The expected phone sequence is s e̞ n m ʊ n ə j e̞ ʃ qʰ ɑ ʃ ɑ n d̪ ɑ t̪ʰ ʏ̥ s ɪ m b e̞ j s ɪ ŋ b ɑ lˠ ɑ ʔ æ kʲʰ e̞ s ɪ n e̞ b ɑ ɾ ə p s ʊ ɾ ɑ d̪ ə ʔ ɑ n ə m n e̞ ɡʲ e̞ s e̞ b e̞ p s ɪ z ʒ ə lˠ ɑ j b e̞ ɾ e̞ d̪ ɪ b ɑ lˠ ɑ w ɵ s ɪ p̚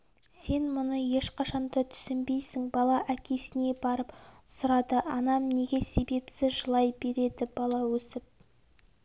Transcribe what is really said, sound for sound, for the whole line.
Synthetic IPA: s e̞ n m ʊ n ə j e̞ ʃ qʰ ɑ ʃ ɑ n d̪ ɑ t̪ʰ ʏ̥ s ɪ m b e̞ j s ɪ ŋ b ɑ lˠ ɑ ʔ æ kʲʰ e̞ s ɪ n e̞ b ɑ ɾ ə p s ʊ ɾ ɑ d̪ ə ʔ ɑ n ɑ m n e̞ ɡʲ e̞ s e̞ b e̞ p s ɪ z ʒ ə lˠ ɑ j b e̞ ɾ e̞ d̪ ɪ b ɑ lˠ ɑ w ɵ s ɪ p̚